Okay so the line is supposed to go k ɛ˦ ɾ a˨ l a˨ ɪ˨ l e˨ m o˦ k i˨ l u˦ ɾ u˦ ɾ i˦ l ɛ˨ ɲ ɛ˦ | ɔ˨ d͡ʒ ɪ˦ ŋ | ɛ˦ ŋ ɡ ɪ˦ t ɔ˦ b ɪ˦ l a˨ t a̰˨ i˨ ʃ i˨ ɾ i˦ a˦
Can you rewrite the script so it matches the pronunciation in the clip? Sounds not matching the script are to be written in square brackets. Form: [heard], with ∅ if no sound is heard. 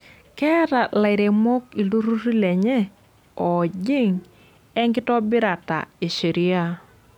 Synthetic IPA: k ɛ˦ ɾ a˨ l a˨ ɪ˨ [ɾ] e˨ m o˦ k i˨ l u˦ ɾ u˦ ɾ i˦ l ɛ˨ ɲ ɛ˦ | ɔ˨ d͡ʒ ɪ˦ ŋ | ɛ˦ ŋ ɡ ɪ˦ t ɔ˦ b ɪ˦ [ɾ] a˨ t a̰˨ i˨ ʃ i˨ ɾ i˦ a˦

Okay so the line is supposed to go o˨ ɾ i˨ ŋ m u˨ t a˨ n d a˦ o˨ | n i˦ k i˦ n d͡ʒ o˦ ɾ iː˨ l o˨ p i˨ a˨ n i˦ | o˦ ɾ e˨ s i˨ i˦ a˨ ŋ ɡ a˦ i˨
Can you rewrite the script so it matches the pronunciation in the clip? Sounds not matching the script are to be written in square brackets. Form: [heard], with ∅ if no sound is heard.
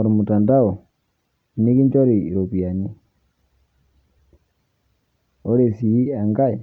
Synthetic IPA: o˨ ɾ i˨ [∅] m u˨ t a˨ n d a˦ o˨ | n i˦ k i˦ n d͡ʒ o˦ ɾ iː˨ [ɾ] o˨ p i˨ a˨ n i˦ | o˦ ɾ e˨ s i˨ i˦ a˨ ŋ ɡ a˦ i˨

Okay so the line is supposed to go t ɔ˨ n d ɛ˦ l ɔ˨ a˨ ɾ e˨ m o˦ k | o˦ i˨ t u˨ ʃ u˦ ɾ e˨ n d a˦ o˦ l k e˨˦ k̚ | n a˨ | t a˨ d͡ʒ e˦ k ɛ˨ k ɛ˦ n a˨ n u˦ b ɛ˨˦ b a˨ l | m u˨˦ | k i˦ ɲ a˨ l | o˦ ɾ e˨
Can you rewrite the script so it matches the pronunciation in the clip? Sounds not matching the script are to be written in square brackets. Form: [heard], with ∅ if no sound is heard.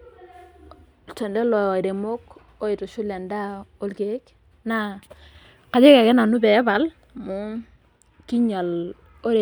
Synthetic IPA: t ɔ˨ n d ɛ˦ l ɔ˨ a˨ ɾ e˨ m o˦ k | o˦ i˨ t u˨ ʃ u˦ [l] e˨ n d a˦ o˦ l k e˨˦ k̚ | n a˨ | [k] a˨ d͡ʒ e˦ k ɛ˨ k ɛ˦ n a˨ n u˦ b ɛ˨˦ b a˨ l | m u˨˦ | k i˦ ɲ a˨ l | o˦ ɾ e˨

